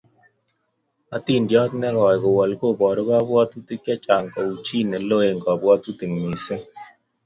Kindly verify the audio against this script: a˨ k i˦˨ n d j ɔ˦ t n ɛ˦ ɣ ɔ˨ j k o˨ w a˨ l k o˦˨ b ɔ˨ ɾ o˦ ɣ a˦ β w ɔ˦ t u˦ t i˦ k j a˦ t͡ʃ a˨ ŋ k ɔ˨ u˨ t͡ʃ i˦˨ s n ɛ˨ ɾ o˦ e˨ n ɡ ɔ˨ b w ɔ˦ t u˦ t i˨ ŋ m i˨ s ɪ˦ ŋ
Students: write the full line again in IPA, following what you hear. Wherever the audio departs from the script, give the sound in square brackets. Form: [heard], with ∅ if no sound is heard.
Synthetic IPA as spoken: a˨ [t] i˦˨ n d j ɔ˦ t n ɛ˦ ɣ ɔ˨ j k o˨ w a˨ l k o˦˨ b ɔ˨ ɾ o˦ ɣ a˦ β w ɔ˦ t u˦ t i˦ k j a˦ t͡ʃ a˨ ŋ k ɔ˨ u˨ t͡ʃ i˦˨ [∅] n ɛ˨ [l] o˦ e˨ [ŋ] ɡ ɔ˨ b w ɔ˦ t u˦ t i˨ ŋ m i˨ s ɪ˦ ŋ